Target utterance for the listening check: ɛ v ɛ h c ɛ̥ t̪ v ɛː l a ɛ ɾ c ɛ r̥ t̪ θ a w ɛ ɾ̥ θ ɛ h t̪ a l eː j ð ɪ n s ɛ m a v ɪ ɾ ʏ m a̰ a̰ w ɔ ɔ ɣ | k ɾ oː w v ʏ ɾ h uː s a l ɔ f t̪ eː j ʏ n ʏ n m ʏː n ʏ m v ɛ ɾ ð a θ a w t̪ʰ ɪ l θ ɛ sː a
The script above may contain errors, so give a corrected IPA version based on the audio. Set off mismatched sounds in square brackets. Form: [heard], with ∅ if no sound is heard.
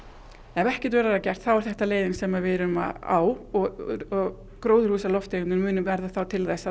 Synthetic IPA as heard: ɛ v ɛ h c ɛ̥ t̪ v ɛː [ɾ] a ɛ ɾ c ɛ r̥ t̪ θ a w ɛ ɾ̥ θ ɛ h t̪ a l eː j ð ɪ n s ɛ m a v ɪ ɾ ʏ m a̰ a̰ w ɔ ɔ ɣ | k ɾ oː w [ð] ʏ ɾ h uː s a l ɔ f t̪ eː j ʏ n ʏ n m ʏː n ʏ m v ɛ ɾ ð a θ a w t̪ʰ ɪ l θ ɛ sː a